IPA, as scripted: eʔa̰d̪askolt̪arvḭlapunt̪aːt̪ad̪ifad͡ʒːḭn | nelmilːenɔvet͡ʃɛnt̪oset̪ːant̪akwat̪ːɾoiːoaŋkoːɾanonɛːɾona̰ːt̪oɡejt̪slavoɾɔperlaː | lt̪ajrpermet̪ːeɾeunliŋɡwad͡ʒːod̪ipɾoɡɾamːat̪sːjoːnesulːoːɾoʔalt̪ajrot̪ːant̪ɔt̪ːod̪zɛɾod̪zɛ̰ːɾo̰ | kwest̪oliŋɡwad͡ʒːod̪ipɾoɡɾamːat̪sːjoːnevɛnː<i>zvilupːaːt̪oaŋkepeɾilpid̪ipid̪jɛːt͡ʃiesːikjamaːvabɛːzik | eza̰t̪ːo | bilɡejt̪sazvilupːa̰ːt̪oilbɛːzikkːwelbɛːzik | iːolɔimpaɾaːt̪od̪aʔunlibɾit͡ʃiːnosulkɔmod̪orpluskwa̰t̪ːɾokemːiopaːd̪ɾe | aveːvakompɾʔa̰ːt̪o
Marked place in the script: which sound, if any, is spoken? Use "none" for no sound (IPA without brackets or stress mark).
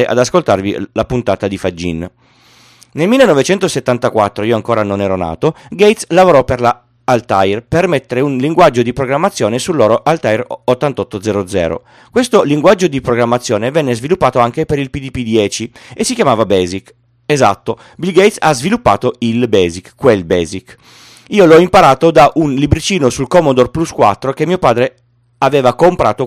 e